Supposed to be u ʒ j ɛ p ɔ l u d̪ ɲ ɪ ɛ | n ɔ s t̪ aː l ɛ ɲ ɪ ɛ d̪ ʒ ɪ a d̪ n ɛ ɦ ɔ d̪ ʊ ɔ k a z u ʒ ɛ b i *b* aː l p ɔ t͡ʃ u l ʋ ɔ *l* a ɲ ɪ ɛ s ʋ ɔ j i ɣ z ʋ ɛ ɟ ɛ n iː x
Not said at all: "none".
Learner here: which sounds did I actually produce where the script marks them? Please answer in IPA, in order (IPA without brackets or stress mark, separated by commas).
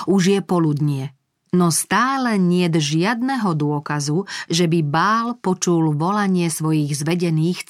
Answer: b, l